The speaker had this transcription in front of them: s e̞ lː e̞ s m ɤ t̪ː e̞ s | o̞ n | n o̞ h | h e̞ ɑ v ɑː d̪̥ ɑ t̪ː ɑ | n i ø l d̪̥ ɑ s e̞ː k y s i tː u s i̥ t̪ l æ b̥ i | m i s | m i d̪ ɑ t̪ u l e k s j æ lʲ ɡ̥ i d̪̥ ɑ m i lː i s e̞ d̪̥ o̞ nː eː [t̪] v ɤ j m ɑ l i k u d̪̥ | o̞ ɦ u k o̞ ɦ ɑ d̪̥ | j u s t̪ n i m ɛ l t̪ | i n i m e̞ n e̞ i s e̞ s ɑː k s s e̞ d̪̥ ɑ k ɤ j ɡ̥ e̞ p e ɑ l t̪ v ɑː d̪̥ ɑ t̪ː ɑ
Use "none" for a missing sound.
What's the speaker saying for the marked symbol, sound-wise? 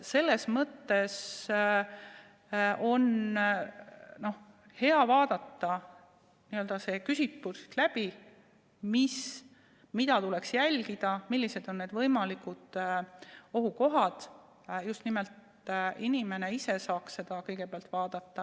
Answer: d̪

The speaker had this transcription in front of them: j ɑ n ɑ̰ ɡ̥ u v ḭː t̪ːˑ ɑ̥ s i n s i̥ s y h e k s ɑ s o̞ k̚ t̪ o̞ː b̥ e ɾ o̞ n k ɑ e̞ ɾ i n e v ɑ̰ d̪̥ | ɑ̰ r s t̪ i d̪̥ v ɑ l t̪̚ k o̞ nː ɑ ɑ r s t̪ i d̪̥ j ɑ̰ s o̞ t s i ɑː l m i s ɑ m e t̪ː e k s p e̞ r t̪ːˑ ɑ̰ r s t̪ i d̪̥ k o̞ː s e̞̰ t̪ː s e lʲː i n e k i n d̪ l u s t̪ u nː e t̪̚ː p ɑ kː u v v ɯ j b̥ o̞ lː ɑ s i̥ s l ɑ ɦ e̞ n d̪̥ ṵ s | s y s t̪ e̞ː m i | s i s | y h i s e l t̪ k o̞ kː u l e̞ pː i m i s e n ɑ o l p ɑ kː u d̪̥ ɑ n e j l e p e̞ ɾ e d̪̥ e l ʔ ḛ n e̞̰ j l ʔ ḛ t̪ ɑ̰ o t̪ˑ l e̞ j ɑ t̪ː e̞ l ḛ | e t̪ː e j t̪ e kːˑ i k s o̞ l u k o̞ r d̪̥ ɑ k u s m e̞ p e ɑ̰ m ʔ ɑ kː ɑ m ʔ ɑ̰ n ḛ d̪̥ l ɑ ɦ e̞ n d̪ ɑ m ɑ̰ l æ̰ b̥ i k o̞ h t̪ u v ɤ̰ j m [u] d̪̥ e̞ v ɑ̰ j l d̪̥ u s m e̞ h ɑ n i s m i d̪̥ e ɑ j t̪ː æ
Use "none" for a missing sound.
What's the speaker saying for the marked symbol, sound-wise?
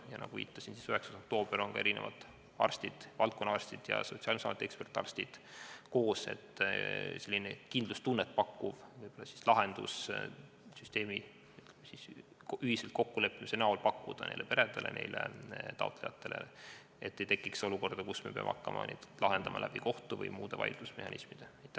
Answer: uː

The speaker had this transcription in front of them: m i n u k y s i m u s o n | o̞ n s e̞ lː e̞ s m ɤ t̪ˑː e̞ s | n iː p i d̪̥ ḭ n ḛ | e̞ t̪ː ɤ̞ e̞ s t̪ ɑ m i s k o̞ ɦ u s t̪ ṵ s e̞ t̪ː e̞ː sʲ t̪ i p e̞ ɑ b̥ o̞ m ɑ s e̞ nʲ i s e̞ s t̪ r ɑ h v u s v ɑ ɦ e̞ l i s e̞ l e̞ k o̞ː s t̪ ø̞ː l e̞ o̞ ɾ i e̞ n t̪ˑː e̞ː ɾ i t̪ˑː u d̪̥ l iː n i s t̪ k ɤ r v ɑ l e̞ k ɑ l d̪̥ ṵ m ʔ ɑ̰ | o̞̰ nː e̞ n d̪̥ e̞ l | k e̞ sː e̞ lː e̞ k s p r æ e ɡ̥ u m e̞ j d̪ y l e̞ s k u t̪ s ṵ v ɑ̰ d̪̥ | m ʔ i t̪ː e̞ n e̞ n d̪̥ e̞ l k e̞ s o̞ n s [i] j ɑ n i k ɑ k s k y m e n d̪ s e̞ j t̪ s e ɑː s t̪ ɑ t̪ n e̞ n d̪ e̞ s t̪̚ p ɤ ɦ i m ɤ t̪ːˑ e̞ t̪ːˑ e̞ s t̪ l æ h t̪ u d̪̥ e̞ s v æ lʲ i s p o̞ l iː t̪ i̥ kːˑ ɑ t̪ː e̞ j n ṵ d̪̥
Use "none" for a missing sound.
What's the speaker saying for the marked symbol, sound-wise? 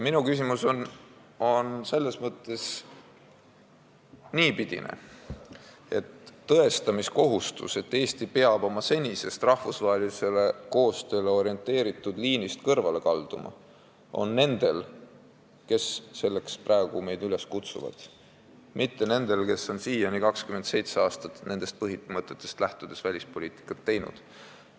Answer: iː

